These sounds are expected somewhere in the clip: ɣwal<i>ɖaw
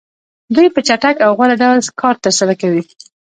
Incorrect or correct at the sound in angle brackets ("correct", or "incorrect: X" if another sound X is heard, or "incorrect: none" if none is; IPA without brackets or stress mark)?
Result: incorrect: a